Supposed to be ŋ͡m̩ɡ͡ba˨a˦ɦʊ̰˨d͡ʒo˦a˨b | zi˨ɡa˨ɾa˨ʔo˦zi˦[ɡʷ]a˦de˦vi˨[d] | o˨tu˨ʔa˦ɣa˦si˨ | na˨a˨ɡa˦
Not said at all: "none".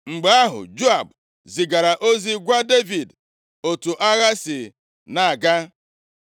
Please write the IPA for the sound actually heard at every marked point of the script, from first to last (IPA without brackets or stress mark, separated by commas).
ɡʷ, d